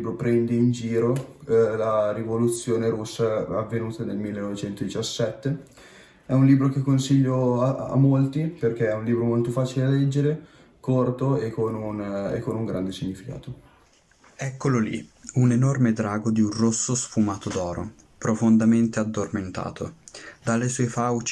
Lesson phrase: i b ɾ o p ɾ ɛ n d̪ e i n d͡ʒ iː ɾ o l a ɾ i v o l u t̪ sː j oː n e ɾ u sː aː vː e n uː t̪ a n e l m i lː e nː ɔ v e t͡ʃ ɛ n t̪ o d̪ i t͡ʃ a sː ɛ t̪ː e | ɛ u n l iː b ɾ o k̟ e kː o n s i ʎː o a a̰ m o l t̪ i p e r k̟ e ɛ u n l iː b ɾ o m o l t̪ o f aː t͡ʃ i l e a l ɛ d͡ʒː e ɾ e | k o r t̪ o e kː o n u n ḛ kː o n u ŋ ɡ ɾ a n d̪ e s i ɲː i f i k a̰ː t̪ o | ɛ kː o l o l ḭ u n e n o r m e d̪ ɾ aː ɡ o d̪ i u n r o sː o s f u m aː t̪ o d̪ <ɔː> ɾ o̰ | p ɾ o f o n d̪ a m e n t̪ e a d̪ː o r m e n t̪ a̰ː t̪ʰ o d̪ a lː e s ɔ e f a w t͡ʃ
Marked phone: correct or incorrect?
correct